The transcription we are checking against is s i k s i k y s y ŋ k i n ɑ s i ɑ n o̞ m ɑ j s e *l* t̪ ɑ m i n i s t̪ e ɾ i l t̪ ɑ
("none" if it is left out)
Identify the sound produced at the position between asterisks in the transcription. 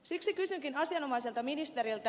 l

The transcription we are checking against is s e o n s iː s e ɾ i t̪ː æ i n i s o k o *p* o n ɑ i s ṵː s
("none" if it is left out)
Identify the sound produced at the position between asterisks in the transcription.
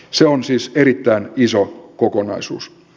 k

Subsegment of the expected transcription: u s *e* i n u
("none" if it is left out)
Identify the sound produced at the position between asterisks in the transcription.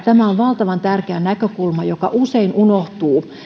e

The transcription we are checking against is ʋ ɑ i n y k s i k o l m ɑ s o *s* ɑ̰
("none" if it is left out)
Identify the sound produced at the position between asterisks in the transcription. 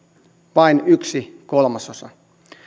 s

